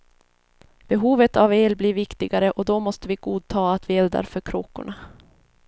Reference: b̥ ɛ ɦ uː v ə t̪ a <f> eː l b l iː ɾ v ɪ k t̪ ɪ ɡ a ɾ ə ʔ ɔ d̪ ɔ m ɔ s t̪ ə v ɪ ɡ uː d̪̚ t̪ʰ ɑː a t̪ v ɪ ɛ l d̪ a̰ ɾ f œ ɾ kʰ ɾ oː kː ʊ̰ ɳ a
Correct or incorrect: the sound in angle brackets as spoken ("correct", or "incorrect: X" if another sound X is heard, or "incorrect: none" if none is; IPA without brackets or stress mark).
incorrect: v